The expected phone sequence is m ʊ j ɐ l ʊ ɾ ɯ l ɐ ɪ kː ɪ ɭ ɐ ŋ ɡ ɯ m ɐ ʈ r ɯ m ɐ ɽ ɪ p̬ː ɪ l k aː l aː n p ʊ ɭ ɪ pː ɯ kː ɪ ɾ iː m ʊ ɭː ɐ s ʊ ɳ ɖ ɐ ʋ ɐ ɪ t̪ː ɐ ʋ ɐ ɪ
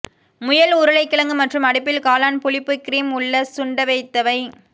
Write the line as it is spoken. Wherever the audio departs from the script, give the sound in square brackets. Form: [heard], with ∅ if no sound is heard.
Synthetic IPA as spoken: m ʊ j ɐ l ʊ ɾ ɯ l ɐ ɪ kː ɪ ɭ ɐ ŋ ɡ ɯ m ɐ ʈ r ɯ m ɐ ɽ ɪ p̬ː ɪ l k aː l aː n p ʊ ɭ ɪ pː ɯ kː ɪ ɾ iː m ʊ ɭː ɐ s ʊ ɳ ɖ ɐ ʋ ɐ ɪ t̪ː ɐ ʋ ɐ ɪ

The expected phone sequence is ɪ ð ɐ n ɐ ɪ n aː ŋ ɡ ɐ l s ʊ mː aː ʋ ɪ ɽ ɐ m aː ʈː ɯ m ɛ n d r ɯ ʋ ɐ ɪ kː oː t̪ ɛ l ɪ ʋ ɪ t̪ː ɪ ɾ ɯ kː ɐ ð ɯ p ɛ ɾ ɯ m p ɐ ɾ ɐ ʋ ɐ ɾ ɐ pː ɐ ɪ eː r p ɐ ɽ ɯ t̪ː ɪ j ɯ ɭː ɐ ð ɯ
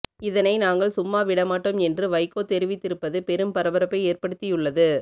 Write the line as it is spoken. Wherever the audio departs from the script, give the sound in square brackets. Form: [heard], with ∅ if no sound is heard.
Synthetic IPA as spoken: ɪ ð ɐ n ɐ ɪ n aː ŋ ɡ ɐ [ɭ] s ʊ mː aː ʋ ɪ ɽ ɐ m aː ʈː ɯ m ɛ n d r ɯ ʋ ɐ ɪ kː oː t̪ ɛ [ɾ] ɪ ʋ ɪ t̪ː ɪ ɾ ɯ [pː] ɐ ð ɯ p ɛ ɾ ɯ m p ɐ ɾ ɐ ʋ ɐ ɾ ɐ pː ɐ ɪ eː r p ɐ ɽ ɯ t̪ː ɪ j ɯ ɭː ɐ ð ɯ

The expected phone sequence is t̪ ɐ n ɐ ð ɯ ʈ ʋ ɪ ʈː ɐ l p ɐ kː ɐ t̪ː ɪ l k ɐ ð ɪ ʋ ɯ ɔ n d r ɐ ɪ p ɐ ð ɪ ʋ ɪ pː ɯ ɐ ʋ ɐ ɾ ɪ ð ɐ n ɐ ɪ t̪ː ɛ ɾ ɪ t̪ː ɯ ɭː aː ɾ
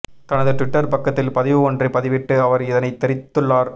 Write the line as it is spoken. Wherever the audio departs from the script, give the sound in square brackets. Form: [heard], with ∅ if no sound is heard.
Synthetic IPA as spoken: t̪ ɐ n ɐ ð ɯ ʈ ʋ ɪ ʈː ɐ [ɾ] p ɐ kː ɐ t̪ː ɪ l [p] ɐ ð ɪ ʋ ɯ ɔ n d r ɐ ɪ p ɐ ð ɪ ʋ ɪ [ʈː] ɯ ɐ ʋ ɐ ɾ ɪ ð ɐ n ɐ ɪ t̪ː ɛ ɾ ɪ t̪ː ɯ ɭː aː ɾ

